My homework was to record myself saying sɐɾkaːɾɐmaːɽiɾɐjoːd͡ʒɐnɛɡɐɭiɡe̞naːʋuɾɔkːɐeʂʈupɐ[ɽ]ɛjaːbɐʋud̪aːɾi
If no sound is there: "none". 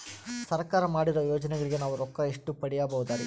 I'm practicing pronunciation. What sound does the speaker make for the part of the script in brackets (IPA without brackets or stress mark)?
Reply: ɽ